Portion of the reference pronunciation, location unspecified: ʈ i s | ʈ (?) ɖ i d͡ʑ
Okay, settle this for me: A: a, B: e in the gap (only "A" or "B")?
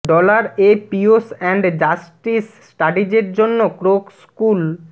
A